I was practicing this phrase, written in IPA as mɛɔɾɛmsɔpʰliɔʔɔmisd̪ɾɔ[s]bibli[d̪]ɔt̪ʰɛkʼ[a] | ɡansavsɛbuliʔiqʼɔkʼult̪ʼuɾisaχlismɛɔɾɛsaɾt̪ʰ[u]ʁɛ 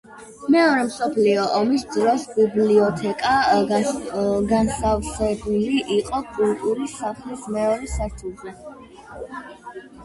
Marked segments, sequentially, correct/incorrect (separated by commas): correct, incorrect, correct, correct